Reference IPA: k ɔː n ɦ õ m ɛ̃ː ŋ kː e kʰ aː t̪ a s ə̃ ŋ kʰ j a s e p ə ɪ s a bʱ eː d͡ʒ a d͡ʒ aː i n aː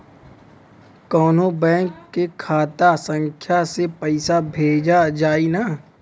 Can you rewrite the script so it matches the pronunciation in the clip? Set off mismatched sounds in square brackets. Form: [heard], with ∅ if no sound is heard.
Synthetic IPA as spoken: k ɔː n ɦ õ [b] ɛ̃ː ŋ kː e kʰ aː t̪ a s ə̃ ŋ kʰ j a s e p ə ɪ s a bʱ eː d͡ʒ a d͡ʒ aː i n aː